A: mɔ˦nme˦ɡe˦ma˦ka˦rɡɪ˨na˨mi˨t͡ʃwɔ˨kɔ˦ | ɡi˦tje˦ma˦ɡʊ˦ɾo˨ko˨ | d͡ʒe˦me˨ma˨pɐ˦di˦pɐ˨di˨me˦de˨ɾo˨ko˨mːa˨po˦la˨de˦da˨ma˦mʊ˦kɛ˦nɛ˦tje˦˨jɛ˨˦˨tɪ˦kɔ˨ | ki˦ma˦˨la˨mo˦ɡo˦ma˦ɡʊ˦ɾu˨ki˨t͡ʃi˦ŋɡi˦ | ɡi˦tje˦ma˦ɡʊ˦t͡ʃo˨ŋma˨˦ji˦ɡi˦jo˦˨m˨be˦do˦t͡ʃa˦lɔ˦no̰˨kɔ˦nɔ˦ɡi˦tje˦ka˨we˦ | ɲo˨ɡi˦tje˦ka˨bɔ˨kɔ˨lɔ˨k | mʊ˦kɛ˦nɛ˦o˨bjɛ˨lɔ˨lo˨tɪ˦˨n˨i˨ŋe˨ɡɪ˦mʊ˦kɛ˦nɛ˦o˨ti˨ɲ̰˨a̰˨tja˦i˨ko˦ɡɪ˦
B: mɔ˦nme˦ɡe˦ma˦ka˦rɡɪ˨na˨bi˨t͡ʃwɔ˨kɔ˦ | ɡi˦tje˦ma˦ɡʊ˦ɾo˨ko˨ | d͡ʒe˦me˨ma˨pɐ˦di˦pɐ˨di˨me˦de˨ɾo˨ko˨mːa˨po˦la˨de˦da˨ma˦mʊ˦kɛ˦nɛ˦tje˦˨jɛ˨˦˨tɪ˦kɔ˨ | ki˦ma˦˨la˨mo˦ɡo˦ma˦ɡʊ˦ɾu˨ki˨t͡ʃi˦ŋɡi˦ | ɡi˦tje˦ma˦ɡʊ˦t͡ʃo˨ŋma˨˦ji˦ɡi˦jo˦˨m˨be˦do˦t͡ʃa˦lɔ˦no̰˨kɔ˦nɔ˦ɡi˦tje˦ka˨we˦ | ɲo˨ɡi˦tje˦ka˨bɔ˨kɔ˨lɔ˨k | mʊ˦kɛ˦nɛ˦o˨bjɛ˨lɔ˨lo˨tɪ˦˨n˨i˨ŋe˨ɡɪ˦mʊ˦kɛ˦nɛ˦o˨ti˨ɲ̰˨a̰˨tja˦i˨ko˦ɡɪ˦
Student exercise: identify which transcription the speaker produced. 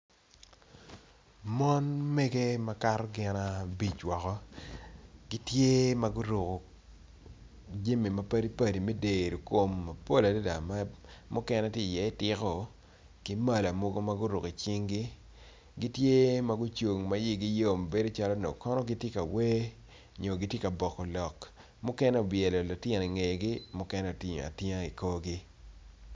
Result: B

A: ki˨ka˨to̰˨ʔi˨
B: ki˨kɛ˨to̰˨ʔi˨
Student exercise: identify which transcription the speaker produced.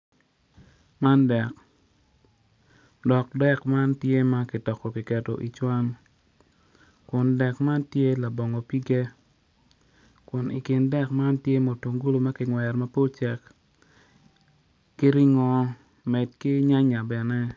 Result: B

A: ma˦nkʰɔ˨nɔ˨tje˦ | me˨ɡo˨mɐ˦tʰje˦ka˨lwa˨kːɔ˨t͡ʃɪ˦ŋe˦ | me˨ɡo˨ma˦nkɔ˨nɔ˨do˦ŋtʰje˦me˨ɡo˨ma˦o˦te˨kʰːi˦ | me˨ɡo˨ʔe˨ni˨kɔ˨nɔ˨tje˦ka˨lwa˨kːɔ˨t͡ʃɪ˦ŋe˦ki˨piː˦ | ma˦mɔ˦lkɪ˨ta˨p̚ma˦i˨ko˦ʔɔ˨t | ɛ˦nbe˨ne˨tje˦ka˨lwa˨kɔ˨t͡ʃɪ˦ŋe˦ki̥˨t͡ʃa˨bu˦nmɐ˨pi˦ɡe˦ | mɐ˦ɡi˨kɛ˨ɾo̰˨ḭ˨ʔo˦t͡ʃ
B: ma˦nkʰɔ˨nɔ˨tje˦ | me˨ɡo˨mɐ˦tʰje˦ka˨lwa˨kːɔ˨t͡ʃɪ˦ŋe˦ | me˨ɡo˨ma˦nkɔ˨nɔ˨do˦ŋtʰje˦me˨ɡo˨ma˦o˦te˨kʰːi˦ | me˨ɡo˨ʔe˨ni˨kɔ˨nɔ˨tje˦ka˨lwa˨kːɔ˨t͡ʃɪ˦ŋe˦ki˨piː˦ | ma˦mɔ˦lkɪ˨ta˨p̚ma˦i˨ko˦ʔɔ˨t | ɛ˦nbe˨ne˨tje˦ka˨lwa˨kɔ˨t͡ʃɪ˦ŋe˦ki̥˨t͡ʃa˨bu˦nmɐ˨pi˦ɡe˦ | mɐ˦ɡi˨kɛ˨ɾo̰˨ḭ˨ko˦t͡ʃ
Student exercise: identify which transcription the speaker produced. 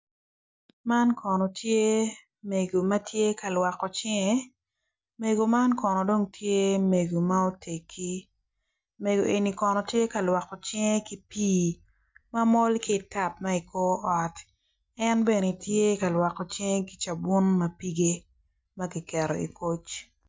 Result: B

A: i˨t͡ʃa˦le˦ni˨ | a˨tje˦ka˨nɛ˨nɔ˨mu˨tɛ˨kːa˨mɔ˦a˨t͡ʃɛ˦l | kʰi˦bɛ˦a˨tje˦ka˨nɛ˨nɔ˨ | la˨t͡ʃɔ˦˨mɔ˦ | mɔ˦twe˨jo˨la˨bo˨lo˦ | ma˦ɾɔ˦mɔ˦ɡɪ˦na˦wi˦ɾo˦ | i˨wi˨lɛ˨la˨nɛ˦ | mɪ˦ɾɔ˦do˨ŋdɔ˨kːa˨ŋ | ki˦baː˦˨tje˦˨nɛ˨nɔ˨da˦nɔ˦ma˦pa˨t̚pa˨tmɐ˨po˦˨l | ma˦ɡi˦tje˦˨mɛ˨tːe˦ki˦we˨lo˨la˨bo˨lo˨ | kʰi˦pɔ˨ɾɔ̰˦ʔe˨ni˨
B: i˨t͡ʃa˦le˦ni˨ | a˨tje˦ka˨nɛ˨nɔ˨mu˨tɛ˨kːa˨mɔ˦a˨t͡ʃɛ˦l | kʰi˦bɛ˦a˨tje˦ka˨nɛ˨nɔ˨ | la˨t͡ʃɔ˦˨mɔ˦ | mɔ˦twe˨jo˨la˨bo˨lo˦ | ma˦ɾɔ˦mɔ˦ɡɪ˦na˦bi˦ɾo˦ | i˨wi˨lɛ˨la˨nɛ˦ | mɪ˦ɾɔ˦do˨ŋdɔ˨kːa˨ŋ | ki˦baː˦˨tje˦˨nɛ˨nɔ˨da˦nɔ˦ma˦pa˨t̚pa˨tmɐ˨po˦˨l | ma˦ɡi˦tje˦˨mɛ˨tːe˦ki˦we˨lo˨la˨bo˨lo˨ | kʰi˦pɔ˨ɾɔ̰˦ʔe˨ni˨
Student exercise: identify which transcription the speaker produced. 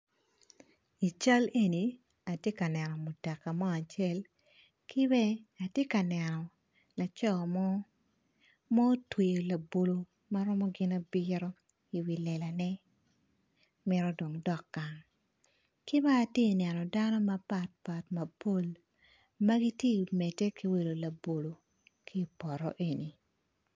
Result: B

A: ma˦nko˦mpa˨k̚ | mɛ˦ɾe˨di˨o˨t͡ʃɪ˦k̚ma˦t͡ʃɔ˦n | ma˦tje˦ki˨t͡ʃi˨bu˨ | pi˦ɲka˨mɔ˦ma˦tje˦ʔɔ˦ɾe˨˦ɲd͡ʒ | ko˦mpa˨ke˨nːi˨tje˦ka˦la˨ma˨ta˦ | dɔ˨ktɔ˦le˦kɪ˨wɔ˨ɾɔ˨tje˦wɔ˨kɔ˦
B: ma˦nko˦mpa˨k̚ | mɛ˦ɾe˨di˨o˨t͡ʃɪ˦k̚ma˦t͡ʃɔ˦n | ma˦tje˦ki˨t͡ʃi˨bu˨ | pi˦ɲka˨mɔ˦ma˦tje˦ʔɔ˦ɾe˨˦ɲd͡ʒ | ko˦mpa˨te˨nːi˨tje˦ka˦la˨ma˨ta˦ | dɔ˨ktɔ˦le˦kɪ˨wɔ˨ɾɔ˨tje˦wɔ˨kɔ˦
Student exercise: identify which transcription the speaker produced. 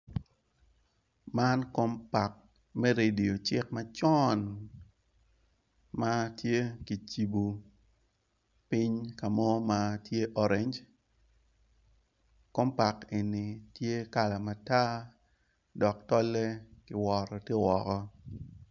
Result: A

